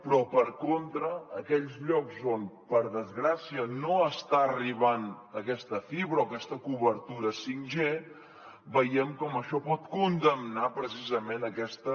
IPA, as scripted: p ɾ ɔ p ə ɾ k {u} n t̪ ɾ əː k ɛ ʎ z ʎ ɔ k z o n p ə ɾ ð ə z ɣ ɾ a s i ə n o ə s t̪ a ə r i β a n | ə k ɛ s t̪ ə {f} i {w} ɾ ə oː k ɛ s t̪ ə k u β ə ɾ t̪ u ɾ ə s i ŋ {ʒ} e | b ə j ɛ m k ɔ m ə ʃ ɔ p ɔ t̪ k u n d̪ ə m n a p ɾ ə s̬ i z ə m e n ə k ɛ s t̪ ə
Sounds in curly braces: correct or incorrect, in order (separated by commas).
incorrect, correct, incorrect, correct